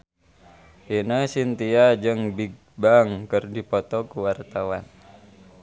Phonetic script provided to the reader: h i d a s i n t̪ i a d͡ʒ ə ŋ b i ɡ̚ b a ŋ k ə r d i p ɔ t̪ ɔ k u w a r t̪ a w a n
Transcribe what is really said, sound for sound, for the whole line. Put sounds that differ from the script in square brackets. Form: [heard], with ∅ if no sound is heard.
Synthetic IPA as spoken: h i [n] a s i n t̪ i a d͡ʒ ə ŋ b i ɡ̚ b a ŋ k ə r d i p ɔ t̪ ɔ k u w a r t̪ a w a n